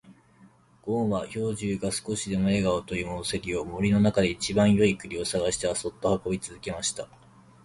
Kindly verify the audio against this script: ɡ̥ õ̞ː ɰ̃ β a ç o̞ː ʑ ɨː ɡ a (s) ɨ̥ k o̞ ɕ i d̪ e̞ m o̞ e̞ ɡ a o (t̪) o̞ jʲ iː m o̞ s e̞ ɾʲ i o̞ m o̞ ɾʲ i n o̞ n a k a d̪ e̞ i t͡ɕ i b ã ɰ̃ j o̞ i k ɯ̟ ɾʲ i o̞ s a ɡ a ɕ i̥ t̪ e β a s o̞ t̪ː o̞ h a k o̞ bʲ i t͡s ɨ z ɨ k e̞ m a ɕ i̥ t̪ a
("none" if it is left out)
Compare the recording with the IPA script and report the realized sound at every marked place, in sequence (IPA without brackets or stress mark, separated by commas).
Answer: s, t̪